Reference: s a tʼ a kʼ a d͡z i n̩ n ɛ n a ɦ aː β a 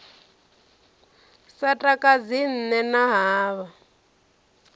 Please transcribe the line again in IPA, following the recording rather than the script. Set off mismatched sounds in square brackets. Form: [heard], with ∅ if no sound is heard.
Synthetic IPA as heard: s a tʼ a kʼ a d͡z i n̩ n ɛ n a ɦ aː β a